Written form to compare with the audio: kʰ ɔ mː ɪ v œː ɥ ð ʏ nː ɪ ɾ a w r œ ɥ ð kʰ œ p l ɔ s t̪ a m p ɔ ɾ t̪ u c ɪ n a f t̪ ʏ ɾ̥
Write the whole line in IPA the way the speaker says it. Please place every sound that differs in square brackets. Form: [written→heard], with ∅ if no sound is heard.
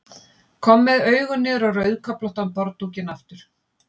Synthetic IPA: kʰ ɔ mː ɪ [v→ð] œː ɥ [ð→ɣ] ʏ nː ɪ ɾ a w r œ ɥ ð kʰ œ p l ɔ [s→h] t̪ a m p ɔ ɾ t̪ u c ɪ n a f t̪ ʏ ɾ̥